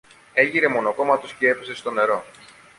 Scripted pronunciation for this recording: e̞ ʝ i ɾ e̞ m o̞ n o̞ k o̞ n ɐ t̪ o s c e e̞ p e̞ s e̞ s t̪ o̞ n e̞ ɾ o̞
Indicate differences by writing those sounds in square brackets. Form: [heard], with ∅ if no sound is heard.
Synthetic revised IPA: e̞ ʝ i ɾ e̞ m o̞ n o̞ k o̞ [m] ɐ t̪ o s c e e̞ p e̞ s e̞ s t̪ o̞ n e̞ ɾ o̞